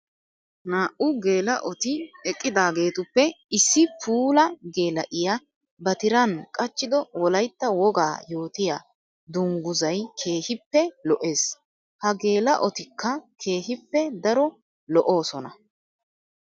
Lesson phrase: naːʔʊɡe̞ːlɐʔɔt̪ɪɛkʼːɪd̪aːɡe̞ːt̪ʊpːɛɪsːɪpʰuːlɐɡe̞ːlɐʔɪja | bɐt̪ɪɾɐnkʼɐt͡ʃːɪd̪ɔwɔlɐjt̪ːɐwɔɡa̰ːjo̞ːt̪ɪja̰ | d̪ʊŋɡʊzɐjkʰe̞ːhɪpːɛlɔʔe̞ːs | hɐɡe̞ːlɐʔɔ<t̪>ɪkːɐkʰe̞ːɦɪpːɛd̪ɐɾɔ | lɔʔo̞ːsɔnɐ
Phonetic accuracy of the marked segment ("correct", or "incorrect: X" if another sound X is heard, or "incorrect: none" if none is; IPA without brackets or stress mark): correct